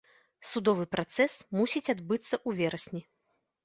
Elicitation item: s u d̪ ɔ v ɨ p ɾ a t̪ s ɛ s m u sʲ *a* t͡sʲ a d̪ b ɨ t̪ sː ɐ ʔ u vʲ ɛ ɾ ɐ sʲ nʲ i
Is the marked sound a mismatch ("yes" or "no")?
yes